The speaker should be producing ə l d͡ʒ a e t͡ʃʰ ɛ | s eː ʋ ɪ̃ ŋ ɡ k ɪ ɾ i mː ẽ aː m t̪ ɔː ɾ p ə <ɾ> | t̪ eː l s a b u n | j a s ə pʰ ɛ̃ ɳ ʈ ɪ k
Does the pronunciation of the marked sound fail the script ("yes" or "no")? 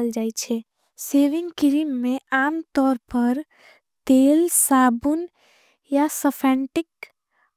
no